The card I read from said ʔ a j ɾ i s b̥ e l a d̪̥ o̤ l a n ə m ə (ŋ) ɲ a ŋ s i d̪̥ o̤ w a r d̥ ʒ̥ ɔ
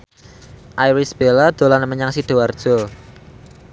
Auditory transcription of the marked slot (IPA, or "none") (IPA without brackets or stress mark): none